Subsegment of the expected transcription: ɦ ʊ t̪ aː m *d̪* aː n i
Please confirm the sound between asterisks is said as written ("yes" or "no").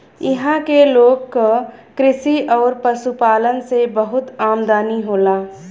yes